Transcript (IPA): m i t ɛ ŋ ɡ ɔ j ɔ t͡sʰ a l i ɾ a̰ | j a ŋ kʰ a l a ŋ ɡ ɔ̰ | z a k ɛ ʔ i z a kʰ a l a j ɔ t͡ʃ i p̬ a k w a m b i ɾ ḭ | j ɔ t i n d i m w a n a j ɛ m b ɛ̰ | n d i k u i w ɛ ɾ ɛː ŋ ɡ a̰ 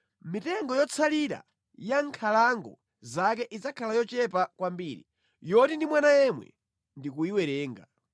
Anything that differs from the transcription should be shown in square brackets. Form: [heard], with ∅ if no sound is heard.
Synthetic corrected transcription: m i t ɛ ŋ ɡ ɔ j ɔ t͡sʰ a l i ɾ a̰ | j a ŋ kʰ a l a ŋ ɡ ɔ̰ | z a k ɛ ʔ i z a kʰ a l a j ɔ t͡ʃ [ɛ] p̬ a k w a m b i ɾ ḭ | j ɔ t i n d i m w a n a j ɛ m [w] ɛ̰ | n d i k u i w ɛ ɾ ɛː ŋ ɡ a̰